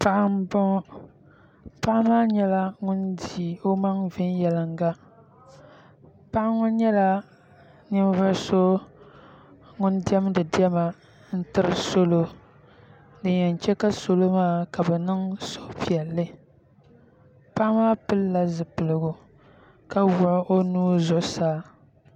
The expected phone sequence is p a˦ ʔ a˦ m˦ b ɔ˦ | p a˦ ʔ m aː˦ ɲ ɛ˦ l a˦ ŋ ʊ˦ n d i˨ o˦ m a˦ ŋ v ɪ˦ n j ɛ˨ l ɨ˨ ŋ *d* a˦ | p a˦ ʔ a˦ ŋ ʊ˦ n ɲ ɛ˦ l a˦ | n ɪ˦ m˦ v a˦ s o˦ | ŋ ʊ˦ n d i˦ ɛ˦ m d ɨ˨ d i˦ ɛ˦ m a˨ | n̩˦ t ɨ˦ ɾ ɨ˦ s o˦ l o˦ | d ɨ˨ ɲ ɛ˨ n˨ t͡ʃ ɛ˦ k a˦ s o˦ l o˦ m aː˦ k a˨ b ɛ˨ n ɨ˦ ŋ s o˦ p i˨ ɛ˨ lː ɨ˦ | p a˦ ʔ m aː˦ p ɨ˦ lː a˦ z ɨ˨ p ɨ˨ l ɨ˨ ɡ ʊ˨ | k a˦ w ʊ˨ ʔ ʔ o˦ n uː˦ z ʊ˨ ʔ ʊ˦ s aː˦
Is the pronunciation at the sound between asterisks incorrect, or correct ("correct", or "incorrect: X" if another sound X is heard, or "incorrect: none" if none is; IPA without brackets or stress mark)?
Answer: incorrect: ɡ